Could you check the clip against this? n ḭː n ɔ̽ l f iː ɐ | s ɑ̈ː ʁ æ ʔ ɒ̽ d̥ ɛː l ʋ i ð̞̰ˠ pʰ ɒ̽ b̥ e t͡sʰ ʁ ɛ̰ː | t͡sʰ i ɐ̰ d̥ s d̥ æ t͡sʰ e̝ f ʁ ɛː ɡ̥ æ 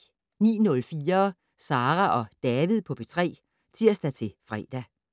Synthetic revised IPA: n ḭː n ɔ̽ l f iː ɐ | s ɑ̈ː ʁ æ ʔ ɒ̽ d̥ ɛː ʋ i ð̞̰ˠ pʰ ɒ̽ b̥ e t͡sʰ ʁ ɛ̰ː | t͡sʰ i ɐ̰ s d̥ æ t͡sʰ e̝ f ʁ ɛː d̥ æ